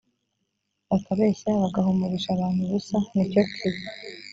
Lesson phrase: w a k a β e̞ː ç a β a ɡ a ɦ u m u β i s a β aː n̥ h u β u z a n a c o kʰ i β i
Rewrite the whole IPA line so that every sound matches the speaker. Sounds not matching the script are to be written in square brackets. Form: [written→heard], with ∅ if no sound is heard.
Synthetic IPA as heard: [w→β] a k a β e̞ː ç a β a ɡ a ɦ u m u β i [s→ʃ] a β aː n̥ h u β u [z→s] a n [a→i] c o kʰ i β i

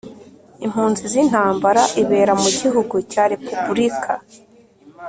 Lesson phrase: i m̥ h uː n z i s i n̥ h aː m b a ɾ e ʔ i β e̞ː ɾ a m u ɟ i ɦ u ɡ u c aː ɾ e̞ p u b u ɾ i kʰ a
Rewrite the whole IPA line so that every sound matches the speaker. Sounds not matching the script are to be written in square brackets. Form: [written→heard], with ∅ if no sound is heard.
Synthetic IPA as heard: i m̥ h uː n z i [s→z] i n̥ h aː m b a ɾ [e→a] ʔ i β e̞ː ɾ a m u ɟ i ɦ u ɡ u c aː ɾ e̞ p u b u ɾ i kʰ a

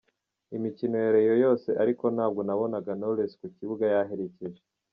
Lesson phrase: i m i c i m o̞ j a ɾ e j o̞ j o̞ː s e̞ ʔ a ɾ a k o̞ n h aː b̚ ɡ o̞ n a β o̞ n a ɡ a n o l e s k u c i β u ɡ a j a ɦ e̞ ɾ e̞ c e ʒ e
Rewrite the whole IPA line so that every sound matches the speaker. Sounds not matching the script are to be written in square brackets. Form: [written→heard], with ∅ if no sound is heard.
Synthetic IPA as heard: i m i c i [m→n] o̞ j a ɾ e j o̞ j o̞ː s e̞ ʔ a ɾ [a→i] k o̞ n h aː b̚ ɡ o̞ n a β o̞ n a ɡ a n o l e s k u c i β u ɡ a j a ɦ e̞ ɾ e̞ c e ʒ e

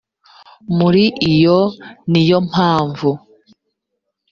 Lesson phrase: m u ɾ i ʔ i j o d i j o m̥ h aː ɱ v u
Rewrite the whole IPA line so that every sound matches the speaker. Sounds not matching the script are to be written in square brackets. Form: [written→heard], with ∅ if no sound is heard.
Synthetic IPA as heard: m u ɾ i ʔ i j o [d→n] i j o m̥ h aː ɱ v u

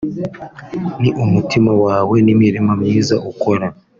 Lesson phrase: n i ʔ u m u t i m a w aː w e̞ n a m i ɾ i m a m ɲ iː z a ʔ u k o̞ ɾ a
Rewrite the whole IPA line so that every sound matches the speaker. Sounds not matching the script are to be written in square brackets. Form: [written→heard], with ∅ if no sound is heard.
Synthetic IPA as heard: n i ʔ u m u t i m a w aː w e̞ n [a→i] m i ɾ i m a m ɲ iː z a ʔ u k o̞ ɾ a

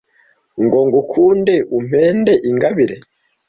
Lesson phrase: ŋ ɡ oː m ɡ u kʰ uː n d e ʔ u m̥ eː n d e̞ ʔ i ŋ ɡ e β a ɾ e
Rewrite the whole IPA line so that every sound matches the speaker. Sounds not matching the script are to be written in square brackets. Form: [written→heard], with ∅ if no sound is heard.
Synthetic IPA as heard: ŋ ɡ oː [m→ŋ] ɡ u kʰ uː n d e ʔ u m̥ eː n d e̞ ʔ i ŋ ɡ [e→a] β [a→i] ɾ e

